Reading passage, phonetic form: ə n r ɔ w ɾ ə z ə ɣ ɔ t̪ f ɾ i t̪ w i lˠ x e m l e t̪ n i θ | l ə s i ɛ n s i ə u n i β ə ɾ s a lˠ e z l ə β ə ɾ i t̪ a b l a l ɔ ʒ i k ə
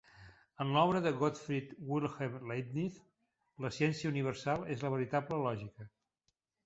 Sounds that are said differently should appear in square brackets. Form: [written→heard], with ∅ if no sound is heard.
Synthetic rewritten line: ə n [r→l] ɔ [w→β] ɾ ə [z→ð] ə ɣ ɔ t̪ f ɾ i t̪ w i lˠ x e m l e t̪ n i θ | l ə s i ɛ n s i ə u n i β ə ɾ s a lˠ e z l ə β ə ɾ i t̪ a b l [a→ə] l ɔ ʒ i k ə